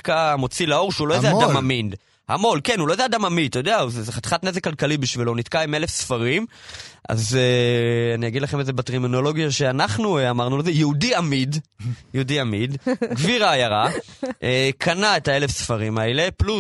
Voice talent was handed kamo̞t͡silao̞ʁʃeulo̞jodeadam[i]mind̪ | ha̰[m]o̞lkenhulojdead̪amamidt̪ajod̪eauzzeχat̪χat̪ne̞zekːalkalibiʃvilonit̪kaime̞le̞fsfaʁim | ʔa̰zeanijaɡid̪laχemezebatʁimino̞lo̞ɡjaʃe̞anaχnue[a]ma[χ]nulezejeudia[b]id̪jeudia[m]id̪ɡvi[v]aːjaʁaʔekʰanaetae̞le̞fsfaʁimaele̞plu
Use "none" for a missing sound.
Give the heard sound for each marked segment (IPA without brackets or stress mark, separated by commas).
a, m, a, ʁ, m, m, ʁ